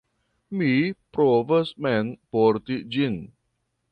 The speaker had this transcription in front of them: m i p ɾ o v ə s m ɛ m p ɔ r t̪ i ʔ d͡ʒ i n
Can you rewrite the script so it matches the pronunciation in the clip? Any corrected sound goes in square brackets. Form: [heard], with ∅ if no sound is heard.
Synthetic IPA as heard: m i p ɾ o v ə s m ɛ [n] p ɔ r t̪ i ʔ d͡ʒ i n